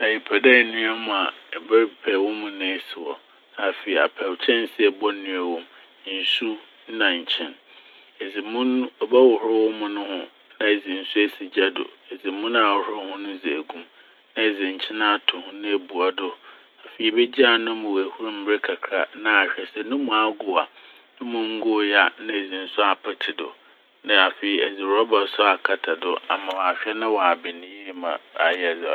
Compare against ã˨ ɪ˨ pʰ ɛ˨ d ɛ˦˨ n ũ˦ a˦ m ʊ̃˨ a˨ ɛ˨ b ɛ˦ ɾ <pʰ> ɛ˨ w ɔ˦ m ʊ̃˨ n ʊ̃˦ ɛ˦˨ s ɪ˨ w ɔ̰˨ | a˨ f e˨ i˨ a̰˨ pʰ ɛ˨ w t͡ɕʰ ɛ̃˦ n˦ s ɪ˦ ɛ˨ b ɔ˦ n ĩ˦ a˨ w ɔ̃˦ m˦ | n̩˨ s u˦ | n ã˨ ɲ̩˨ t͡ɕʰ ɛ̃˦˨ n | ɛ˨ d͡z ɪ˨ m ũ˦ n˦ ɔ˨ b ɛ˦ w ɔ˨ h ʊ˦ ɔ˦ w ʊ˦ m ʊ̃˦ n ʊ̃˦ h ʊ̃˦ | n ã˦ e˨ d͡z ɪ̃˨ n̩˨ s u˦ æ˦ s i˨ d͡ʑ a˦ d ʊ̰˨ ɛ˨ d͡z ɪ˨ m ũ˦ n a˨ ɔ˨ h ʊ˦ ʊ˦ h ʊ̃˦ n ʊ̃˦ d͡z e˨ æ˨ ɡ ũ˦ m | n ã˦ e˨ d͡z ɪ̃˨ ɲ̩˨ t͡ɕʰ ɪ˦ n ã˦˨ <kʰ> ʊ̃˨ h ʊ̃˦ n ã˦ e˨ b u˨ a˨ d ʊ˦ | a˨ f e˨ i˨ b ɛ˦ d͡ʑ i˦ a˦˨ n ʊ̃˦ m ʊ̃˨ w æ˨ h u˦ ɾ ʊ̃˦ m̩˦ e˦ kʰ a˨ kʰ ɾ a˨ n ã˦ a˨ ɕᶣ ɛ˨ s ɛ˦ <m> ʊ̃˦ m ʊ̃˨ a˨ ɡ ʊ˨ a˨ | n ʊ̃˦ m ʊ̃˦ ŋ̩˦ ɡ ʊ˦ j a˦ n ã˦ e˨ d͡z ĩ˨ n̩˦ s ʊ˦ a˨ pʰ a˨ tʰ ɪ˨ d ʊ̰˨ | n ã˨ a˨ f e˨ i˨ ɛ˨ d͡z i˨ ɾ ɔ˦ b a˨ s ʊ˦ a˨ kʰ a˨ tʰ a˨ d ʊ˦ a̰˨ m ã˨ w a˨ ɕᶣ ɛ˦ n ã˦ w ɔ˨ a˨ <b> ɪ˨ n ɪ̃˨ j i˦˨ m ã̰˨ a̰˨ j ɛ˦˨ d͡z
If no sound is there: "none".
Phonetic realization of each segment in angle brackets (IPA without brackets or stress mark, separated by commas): pʰ, tʰ, n, b